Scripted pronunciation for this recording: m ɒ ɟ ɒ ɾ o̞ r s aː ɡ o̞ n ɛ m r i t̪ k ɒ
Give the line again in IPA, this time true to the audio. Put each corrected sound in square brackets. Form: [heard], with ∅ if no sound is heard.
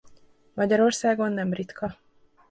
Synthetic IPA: m ɒ ɟ ɒ ɾ o̞ r s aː ɡ o̞ [nː] ɛ m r i t̪ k ɒ